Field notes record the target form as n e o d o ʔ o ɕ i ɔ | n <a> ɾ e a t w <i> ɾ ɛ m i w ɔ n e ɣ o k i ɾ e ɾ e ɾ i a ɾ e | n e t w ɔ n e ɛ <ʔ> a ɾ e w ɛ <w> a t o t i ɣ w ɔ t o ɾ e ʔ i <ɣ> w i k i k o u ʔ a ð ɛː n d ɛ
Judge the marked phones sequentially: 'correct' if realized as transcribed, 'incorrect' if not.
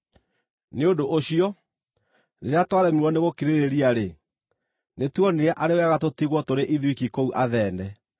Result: incorrect, incorrect, correct, incorrect, incorrect

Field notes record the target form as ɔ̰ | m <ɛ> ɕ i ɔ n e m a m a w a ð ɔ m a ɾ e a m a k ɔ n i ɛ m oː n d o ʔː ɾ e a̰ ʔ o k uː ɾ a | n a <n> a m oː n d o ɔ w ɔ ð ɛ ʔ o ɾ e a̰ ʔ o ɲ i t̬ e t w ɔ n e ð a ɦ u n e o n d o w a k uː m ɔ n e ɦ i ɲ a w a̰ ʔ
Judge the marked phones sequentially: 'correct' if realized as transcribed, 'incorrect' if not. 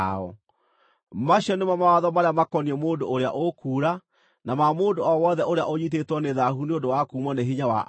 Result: incorrect, incorrect

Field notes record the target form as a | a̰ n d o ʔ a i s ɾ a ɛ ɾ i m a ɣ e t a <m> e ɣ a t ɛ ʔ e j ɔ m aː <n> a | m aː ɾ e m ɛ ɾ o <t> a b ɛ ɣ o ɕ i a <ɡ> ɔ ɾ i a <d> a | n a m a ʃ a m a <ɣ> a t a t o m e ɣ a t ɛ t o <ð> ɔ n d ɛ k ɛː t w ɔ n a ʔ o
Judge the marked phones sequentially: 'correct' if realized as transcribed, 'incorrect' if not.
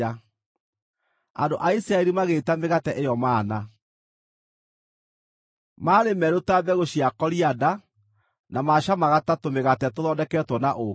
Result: correct, correct, correct, incorrect, correct, correct, correct

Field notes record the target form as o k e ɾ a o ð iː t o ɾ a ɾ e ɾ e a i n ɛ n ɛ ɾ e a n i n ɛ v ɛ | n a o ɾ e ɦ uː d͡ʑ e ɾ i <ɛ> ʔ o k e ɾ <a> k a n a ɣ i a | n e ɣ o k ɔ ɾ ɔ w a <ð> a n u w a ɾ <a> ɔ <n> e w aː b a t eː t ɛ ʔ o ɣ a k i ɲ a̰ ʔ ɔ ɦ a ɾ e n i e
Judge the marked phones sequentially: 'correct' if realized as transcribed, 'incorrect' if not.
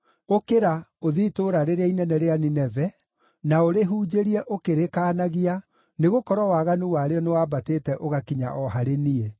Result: correct, incorrect, incorrect, incorrect, correct

